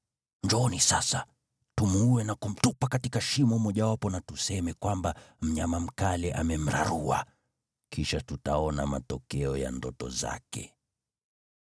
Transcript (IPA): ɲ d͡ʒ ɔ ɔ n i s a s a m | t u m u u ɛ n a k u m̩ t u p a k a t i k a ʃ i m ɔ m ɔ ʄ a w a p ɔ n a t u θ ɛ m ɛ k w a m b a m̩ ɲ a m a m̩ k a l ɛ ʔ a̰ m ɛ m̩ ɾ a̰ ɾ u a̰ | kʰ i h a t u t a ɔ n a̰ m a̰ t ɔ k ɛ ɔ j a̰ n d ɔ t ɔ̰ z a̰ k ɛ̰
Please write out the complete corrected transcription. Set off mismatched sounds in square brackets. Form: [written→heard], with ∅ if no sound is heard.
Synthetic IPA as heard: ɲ d͡ʒ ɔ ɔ n i s a s a [m→∅] | t u m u u ɛ n a k u m̩ t u p a k a t i k a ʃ i m ɔ m ɔ ʄ a w a p ɔ n a t u [θ→s] ɛ m ɛ k w a m b a m̩ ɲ a m a m̩ k a l ɛ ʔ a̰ m ɛ m̩ ɾ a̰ ɾ u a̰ | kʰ i [h→ʃ] a t u t a ɔ n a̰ m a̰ t ɔ k ɛ ɔ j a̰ n d ɔ t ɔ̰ z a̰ k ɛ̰